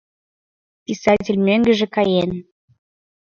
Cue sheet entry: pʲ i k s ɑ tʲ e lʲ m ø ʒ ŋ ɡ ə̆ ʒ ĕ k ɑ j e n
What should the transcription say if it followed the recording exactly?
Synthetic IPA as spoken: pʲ i s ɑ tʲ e lʲ m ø ŋ ɡ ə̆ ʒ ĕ k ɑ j e n